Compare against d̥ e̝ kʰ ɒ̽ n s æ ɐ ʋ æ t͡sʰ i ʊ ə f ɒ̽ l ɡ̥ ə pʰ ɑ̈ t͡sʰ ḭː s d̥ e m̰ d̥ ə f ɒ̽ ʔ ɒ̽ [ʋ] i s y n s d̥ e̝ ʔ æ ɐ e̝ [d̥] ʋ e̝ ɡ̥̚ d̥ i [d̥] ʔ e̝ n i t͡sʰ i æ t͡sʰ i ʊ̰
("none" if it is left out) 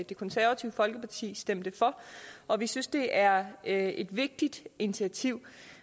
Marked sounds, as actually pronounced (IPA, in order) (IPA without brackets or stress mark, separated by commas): ʋ, d̥, d̥